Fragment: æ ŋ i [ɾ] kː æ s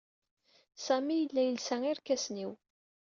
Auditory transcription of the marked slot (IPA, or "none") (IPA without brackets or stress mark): ɾ